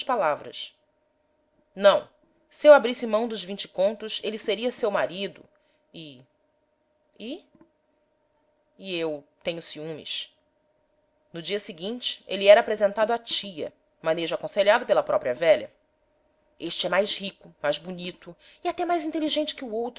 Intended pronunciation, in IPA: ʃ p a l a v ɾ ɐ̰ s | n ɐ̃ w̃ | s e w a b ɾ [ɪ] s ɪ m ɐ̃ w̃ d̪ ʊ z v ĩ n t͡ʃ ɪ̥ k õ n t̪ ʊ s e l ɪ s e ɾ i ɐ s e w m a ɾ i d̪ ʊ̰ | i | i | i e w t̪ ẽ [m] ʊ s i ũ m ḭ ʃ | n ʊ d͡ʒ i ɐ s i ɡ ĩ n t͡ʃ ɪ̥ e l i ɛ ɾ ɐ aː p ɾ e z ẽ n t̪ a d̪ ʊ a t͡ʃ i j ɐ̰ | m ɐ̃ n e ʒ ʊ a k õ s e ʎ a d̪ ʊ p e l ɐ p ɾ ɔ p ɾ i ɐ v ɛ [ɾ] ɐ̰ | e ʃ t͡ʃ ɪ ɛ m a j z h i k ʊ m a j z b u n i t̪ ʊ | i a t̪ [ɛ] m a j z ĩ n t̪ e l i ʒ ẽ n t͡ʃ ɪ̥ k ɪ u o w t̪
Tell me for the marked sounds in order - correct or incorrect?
incorrect, incorrect, incorrect, correct

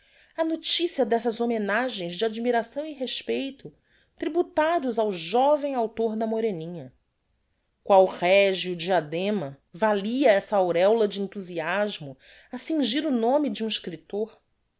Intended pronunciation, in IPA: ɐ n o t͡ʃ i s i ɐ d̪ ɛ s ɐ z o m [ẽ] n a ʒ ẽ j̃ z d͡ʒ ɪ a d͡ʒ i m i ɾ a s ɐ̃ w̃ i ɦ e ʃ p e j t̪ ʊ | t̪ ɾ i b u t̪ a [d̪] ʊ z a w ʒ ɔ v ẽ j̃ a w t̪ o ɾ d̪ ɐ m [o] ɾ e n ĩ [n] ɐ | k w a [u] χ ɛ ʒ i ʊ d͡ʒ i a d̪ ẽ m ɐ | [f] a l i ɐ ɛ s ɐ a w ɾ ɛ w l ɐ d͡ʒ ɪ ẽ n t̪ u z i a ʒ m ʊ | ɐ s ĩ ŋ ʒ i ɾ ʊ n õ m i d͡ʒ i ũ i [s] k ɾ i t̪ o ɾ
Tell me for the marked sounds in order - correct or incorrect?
incorrect, correct, correct, incorrect, incorrect, incorrect, incorrect

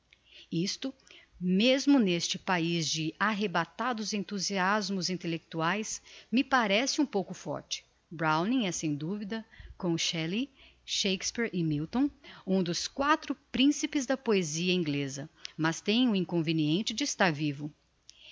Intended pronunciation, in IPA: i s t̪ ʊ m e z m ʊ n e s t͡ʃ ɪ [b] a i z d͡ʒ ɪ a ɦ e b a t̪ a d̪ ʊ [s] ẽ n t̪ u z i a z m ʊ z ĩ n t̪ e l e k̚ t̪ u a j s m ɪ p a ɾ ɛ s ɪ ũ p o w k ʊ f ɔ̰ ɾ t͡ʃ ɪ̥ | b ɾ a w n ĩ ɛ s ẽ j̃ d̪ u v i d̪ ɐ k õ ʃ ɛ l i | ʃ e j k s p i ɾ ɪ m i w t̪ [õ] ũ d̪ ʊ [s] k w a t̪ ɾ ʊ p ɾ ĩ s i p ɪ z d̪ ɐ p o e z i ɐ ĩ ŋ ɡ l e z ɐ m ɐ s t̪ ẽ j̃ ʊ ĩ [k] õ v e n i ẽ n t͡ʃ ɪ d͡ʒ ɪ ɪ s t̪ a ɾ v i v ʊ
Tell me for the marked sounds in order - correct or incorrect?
incorrect, incorrect, correct, correct, correct

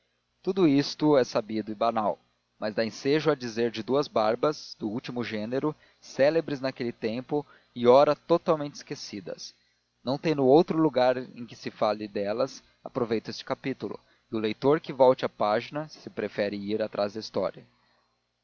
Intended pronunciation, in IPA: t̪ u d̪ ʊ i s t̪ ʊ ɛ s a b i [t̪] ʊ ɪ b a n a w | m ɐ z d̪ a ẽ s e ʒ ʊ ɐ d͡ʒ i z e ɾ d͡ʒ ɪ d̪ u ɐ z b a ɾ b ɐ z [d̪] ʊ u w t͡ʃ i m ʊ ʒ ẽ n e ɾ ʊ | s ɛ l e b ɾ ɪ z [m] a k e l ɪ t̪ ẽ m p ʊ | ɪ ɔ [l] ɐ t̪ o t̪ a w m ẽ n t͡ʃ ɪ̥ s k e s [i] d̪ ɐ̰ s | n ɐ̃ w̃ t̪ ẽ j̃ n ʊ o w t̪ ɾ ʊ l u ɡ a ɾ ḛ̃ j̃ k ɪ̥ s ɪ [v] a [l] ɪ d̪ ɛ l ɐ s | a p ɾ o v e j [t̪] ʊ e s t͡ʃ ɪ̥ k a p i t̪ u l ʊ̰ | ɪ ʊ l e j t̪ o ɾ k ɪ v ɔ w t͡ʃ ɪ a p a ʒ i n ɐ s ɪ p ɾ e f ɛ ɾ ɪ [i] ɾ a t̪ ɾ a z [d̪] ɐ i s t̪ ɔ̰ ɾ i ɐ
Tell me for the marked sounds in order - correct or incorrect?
incorrect, correct, incorrect, incorrect, correct, incorrect, correct, correct, correct, correct

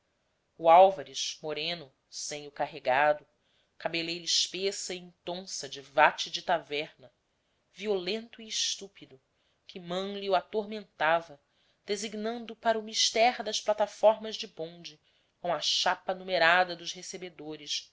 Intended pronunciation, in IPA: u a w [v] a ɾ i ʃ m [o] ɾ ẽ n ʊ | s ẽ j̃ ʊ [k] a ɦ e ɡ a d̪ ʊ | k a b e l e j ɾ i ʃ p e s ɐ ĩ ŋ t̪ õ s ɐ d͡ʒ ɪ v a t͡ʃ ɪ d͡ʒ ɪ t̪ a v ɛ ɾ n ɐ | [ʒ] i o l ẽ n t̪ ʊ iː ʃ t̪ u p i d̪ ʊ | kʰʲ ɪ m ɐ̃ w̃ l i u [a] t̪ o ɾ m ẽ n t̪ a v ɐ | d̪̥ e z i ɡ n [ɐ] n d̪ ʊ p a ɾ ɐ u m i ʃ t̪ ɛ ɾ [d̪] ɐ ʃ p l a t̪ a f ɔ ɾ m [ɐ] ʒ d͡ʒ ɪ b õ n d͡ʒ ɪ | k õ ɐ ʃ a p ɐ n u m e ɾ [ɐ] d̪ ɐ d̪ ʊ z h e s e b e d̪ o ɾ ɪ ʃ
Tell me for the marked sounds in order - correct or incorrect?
correct, correct, correct, incorrect, correct, incorrect, correct, correct, incorrect

